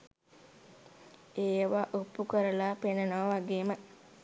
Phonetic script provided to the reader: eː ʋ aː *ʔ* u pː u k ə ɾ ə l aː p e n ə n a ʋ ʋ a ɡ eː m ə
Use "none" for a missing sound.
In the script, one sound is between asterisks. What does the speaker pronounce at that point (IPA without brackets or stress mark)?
ʔ